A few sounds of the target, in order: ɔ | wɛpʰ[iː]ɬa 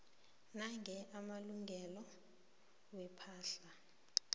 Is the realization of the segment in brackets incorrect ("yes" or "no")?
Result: yes